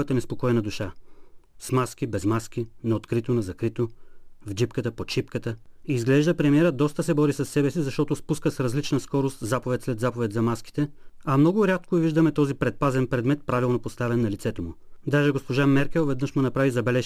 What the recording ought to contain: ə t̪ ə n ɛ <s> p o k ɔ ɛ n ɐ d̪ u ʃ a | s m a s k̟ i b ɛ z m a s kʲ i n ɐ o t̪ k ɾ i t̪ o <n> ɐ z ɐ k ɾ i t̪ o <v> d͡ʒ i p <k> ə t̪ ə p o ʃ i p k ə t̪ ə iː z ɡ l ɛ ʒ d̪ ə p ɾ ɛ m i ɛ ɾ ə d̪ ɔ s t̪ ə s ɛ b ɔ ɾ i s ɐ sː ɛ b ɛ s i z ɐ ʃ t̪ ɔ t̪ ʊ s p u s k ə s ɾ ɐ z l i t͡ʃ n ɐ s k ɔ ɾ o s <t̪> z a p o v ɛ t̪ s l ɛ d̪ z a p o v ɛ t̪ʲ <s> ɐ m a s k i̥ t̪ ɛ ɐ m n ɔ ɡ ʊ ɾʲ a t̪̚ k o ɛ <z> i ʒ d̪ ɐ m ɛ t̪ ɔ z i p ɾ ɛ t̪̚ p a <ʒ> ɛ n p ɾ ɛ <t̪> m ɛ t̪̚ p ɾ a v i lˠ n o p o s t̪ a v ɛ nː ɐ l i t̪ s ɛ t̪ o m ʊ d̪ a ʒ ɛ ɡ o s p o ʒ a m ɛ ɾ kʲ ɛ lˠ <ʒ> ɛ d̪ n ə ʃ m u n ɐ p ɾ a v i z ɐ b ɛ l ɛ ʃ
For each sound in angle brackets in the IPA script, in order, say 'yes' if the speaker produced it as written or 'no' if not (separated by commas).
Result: yes, yes, yes, yes, yes, no, no, no, no, no